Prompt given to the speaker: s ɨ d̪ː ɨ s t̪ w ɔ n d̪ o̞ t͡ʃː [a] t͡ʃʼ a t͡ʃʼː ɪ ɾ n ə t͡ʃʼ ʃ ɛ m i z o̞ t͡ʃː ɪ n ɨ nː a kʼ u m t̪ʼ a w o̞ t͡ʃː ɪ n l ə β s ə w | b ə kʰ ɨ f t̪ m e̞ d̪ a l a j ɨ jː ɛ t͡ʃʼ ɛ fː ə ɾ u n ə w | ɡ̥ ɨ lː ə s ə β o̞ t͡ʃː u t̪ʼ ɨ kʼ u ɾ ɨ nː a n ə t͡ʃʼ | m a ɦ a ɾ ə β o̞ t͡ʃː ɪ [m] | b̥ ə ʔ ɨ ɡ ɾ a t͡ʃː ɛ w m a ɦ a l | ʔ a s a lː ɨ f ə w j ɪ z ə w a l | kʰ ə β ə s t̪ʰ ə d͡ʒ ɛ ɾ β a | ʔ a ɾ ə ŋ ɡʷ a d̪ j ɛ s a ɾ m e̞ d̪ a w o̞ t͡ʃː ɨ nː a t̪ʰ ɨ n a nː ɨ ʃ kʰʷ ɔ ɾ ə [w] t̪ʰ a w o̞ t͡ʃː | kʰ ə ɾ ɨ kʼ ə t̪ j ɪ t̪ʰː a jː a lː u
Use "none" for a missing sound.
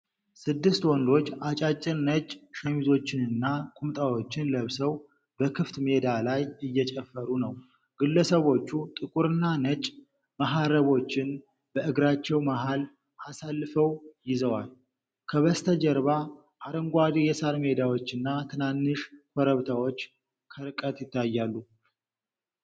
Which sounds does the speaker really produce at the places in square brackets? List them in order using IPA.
a, n, β

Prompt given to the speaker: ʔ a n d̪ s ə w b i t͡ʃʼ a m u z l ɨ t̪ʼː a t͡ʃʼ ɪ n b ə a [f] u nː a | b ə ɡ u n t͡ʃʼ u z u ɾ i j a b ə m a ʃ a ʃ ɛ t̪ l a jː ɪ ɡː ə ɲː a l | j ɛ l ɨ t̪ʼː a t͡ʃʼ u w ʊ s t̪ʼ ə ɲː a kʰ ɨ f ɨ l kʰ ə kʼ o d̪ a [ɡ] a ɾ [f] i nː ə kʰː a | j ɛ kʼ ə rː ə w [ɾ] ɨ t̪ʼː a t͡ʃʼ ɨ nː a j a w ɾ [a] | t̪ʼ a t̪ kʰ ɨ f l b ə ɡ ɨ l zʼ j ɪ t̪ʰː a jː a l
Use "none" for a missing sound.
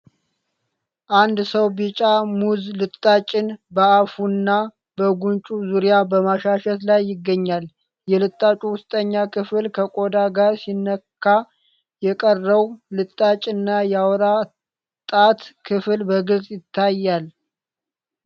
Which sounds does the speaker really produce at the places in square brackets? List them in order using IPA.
f, ɡ, s, l, a

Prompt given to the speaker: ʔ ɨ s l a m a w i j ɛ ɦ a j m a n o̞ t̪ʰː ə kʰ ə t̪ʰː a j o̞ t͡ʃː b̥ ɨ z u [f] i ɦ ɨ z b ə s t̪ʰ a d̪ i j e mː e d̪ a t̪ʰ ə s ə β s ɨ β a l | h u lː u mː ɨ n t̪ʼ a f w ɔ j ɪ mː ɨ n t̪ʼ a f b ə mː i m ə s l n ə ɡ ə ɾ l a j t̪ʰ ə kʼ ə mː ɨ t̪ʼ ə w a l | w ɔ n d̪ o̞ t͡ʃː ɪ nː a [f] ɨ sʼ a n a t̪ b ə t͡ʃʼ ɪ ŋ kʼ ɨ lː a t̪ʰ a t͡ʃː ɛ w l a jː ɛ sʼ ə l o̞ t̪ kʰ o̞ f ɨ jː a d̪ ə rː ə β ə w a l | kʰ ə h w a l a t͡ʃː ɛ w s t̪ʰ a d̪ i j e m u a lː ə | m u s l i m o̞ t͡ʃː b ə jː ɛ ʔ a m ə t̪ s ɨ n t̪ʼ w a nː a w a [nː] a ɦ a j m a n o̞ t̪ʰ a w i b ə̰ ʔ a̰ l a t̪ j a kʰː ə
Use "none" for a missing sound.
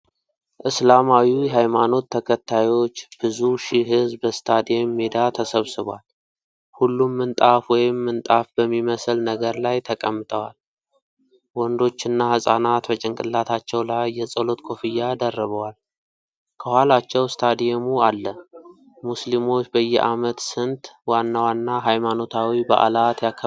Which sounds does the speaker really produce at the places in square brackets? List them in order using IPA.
ʃ, h, nː

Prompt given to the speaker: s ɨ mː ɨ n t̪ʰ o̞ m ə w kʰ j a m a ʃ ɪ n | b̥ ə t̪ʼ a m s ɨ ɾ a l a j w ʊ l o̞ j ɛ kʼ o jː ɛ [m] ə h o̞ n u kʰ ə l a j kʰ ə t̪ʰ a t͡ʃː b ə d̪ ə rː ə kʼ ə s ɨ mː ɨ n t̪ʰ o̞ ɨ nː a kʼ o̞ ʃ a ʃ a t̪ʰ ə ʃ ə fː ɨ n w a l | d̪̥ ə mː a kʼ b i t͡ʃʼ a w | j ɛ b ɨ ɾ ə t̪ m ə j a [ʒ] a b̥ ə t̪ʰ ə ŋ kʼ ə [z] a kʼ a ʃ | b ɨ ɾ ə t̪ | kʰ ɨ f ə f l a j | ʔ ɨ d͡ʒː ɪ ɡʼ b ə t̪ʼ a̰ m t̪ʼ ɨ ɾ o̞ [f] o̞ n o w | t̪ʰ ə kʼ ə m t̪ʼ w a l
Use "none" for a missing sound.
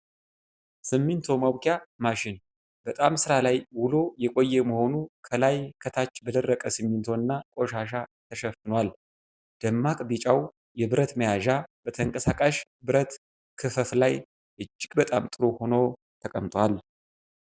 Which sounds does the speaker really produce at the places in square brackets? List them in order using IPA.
m, ʒ, s, h

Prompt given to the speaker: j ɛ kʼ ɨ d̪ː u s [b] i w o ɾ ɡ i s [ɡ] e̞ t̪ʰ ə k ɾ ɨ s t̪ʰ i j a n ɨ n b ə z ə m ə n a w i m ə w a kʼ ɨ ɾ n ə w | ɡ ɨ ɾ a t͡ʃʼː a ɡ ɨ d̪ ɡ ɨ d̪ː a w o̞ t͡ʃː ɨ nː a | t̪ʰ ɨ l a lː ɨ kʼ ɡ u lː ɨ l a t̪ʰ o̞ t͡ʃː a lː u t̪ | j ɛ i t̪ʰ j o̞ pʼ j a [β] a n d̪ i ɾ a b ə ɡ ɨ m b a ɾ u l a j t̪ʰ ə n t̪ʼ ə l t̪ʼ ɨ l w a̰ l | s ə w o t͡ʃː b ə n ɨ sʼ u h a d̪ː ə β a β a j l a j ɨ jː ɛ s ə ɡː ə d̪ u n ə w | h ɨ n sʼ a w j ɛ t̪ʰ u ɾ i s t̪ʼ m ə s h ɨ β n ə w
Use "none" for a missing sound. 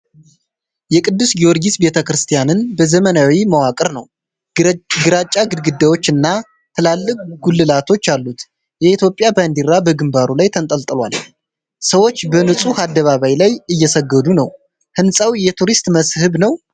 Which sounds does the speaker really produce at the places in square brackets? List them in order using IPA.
ɡ, b, b

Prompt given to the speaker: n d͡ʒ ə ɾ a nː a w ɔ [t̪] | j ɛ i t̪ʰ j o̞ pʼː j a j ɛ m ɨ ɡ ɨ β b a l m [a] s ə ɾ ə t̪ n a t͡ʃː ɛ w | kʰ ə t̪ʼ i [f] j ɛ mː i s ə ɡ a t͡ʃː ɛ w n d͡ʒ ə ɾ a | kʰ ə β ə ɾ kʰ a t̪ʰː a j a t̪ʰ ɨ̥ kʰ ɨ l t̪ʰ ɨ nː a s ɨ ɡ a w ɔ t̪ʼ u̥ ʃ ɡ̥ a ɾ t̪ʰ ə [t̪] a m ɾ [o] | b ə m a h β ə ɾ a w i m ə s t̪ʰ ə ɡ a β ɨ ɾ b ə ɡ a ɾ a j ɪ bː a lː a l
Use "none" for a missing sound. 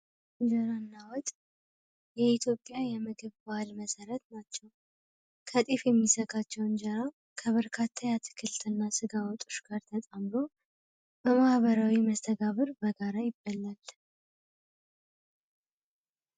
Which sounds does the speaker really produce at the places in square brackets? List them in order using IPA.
t̪ʼ, ə, f, t̪ʼ, o

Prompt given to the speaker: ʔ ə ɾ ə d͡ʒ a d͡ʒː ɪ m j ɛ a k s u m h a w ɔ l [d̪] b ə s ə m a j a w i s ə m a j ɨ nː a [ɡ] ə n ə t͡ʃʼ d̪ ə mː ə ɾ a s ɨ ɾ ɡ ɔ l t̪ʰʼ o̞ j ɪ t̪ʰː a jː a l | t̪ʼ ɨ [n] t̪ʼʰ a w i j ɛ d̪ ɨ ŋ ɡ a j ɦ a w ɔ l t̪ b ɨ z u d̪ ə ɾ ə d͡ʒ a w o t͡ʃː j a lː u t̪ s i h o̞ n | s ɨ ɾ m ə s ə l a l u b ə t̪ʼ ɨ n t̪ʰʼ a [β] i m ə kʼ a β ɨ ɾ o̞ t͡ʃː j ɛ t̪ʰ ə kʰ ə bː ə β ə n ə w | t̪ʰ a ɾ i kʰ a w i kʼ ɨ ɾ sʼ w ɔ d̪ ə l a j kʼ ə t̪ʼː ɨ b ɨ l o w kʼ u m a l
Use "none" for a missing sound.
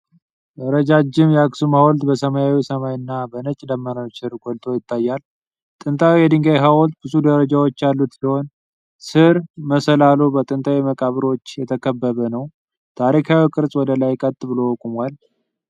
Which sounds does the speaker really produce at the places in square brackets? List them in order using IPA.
t̪, b, n, w

